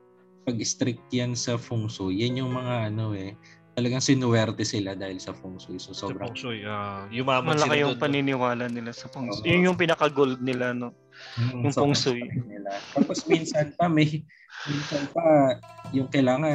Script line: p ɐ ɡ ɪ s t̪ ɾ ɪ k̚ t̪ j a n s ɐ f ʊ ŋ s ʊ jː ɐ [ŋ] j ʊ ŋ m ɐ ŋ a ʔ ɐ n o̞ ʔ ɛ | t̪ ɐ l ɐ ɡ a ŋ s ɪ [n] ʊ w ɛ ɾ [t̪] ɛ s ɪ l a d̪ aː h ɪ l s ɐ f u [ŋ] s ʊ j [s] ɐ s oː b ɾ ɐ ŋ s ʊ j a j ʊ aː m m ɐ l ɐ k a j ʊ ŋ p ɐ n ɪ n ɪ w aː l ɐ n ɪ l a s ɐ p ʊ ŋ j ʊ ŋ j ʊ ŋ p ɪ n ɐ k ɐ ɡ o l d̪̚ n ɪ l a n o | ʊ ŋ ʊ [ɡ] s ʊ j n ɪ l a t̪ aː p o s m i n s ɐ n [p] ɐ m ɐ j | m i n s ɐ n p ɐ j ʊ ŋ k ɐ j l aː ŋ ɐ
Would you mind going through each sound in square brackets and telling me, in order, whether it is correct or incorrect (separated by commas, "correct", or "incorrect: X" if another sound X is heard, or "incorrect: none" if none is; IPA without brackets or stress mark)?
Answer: incorrect: n, correct, correct, correct, correct, incorrect: ŋ, correct